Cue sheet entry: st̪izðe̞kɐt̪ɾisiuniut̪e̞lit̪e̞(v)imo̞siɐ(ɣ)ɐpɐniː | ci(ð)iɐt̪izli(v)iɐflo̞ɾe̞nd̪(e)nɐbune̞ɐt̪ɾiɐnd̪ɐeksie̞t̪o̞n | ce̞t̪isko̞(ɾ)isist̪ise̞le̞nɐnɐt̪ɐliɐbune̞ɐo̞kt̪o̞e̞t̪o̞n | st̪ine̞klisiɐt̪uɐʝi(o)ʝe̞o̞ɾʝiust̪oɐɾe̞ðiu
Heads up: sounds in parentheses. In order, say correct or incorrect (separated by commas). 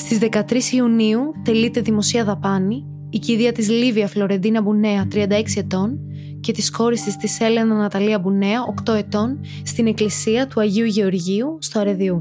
incorrect, incorrect, correct, correct, incorrect, correct, incorrect